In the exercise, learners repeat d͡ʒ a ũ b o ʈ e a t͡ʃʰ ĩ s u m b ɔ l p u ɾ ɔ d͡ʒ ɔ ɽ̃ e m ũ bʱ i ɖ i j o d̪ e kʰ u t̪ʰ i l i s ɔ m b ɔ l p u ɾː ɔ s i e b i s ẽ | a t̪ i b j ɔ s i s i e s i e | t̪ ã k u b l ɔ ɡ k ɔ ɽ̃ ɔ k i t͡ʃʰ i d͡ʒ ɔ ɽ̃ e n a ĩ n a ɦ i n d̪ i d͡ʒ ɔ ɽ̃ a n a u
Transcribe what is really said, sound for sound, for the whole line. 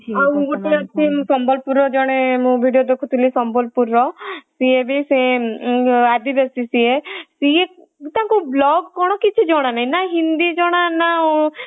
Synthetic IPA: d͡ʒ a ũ ɡ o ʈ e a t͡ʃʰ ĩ s ɔ m b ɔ l p u ɾ ɔ d͡ʒ ɔ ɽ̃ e m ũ bʱ i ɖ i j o d̪ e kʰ u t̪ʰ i l i s ɔ m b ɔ l p u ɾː ɔ s i e b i s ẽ | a d̪ i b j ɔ s i s i e s i e | t̪ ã k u b l ɔ ɡ k ɔ ɽ̃ ɔ k i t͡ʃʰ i d͡ʒ ɔ ɽ̃ a n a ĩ n a ɦ i n d̪ i d͡ʒ ɔ ɽ̃ a n a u